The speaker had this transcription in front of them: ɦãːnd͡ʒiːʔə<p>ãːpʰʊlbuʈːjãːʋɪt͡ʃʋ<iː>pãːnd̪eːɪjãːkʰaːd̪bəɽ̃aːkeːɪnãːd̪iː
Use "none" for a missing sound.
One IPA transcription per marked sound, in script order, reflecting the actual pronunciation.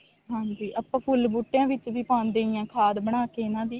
p, iː

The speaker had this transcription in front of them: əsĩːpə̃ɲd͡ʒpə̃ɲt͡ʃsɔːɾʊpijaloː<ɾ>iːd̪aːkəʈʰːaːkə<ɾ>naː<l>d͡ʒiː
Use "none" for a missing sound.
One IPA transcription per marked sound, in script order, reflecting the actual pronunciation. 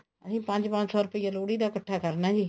ɽ, ɾ, none

